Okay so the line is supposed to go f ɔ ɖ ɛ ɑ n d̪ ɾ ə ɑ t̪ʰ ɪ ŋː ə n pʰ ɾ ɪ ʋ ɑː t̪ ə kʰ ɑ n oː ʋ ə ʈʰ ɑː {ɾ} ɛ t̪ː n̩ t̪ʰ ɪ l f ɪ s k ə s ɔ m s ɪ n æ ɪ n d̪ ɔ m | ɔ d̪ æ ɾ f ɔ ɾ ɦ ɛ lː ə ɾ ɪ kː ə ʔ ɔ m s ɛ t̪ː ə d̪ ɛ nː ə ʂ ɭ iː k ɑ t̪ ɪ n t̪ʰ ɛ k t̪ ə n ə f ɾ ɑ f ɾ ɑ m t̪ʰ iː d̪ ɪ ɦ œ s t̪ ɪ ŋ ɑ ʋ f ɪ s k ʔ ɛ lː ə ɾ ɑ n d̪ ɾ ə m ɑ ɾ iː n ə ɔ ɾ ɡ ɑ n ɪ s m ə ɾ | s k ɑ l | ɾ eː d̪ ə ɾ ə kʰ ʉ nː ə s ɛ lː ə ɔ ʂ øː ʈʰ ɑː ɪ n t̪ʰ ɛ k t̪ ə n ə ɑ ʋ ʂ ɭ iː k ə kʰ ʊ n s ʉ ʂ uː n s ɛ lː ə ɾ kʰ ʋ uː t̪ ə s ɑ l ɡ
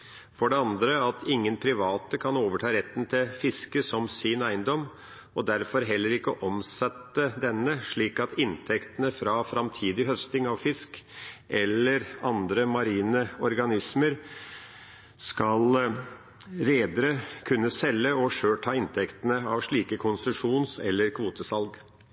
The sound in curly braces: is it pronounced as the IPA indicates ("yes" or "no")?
yes